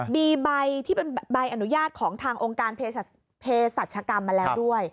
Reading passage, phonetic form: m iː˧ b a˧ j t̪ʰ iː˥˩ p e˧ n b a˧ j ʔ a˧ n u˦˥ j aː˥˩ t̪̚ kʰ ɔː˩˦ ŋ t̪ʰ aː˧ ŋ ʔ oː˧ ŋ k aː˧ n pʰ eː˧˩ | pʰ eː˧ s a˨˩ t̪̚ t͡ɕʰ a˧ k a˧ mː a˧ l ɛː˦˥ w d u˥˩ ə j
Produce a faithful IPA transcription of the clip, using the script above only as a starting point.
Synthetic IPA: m iː˧ b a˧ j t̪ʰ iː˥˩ p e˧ n b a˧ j ʔ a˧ n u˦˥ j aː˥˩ t̪̚ kʰ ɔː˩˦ ŋ t̪ʰ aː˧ ŋ ʔ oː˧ ŋ k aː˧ n pʰ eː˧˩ | pʰ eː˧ s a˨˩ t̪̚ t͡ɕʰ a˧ k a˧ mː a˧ l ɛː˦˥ w d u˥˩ ə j